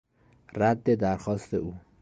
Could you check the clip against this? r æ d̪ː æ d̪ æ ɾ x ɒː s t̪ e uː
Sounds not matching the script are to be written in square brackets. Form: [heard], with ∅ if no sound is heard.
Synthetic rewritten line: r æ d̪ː [e] d̪ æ ɾ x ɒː s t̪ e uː

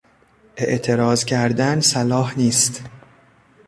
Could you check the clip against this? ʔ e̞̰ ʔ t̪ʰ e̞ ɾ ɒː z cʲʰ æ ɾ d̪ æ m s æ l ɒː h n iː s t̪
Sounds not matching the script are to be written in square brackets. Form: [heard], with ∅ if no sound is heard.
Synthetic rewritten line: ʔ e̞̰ ʔ t̪ʰ e̞ ɾ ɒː z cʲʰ æ ɾ d̪ æ [n] s æ l ɒː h n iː s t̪

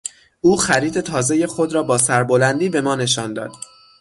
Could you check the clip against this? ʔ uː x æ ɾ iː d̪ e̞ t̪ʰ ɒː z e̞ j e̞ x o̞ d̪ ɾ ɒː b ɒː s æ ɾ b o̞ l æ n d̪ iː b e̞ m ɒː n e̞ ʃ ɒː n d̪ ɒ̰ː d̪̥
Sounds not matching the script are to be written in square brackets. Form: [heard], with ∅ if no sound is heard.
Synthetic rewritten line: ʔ uː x æ ɾ iː d̪ e̞ t̪ʰ ɒː z e̞ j e̞ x o̞ d̪ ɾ ɒː b ɒː s æ ɾ b o̞ l æ n d̪ iː b e̞ m ɒː n e̞ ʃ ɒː n d̪ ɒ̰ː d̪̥

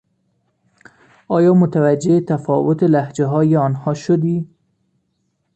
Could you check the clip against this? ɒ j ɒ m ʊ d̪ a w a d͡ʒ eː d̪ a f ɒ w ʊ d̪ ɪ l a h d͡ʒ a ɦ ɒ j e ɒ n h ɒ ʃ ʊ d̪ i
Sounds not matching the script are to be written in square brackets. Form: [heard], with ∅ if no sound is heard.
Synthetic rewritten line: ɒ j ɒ m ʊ [t̪] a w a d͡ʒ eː [t̪] a f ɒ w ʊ [t̪] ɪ l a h d͡ʒ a ɦ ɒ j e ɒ n h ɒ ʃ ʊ d̪ i

